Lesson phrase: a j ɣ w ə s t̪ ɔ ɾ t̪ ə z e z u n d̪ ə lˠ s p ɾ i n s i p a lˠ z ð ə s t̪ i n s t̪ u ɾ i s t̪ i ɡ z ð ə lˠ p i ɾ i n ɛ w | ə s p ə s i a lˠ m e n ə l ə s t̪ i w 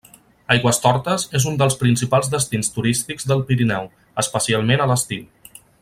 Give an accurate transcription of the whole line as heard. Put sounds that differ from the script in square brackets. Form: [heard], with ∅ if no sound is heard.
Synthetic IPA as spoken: a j ɣ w ə s t̪ ɔ ɾ t̪ ə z e z u n d̪ ə lˠ s p ɾ i n s i p a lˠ z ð ə s t̪ i n s t̪ u ɾ i s t̪ i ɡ z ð ə lˠ p i ɾ i n ɛ w | ə s p ə s i a lˠ m e n ə l ə s t̪ i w